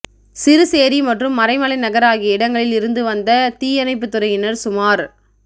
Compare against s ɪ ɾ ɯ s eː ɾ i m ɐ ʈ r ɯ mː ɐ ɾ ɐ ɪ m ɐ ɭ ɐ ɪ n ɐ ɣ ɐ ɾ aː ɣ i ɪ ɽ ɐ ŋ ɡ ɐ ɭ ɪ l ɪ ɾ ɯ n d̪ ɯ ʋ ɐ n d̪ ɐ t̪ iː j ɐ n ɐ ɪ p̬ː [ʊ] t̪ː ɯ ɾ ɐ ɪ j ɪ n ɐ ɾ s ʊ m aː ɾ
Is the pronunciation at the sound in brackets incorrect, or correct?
incorrect